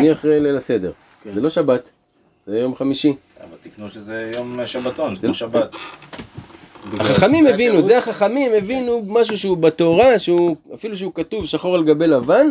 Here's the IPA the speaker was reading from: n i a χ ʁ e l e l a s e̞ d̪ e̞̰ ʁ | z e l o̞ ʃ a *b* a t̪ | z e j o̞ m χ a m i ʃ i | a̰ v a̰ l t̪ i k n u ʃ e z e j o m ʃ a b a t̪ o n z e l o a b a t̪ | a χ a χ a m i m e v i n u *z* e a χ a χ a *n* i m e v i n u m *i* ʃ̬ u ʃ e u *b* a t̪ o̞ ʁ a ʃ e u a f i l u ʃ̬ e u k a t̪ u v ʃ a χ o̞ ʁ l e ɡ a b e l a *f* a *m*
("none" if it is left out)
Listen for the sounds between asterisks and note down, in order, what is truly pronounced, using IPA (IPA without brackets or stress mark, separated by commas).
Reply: b, z, m, a, b, v, n